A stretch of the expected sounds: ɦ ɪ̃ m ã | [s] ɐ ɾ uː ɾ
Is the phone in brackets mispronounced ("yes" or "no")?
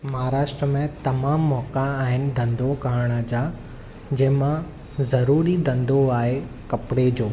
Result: yes